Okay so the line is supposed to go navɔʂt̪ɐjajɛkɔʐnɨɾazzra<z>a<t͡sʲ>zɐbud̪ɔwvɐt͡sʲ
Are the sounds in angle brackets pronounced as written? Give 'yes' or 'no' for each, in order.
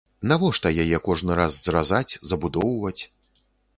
yes, yes

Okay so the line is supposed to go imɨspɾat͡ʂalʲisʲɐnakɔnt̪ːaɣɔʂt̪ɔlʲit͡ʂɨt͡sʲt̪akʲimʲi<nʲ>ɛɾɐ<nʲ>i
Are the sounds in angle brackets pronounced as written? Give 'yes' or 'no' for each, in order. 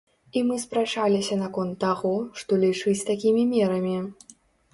no, no

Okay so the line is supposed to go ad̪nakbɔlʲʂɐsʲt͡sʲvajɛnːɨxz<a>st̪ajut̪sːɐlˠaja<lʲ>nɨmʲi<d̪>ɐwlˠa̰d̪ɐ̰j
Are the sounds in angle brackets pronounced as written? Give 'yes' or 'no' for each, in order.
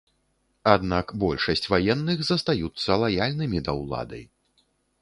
no, yes, yes

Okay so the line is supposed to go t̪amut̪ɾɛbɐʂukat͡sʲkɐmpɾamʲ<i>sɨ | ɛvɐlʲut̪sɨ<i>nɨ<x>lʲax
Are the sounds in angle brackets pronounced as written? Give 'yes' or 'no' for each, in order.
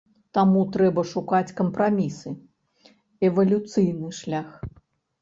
yes, no, no

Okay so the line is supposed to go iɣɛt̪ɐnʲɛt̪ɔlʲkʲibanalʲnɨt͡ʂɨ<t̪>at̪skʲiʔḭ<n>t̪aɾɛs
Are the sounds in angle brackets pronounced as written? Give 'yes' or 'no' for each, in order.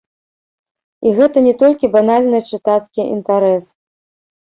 yes, yes

